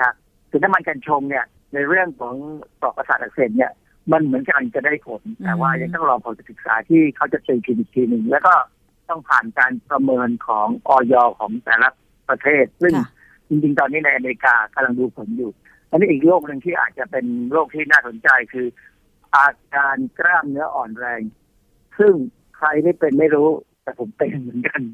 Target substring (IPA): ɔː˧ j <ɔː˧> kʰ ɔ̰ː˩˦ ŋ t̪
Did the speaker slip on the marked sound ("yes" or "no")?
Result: no